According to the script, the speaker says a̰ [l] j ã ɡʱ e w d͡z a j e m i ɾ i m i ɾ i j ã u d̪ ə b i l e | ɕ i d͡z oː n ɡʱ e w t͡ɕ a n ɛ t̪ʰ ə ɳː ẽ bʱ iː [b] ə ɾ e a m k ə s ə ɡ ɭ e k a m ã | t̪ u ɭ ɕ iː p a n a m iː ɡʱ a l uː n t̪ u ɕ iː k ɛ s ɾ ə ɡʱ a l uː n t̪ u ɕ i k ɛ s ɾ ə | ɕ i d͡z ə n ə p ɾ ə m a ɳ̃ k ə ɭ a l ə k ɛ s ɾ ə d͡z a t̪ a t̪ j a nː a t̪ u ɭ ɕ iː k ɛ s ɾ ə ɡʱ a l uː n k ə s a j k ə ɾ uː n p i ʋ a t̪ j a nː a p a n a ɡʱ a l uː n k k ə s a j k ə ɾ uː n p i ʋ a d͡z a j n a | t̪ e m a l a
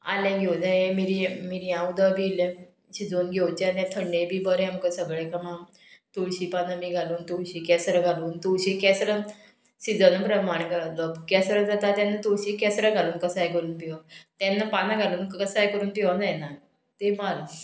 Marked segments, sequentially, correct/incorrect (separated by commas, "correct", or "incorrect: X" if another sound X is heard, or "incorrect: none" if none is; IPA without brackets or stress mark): correct, correct